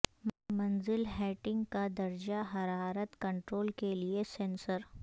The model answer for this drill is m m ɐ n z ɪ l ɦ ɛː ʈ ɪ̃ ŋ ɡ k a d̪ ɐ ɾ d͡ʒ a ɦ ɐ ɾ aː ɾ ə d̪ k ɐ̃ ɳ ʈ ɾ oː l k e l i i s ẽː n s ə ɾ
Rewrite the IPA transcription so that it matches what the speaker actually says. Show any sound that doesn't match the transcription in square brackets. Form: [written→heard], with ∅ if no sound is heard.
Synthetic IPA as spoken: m m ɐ n z ɪ l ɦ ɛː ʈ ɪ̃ ŋ ɡ k a d̪ ɐ ɾ d͡ʒ a ɦ ɐ ɾ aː ɾ ə [d̪→t̪] k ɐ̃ ɳ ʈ ɾ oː l k e l i [i→e] s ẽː n s ə ɾ